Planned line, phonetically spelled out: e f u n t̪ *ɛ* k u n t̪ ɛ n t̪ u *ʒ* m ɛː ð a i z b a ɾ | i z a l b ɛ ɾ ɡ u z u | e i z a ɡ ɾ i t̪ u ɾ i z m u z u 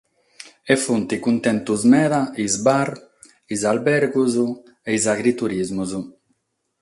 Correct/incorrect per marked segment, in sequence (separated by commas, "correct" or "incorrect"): incorrect, incorrect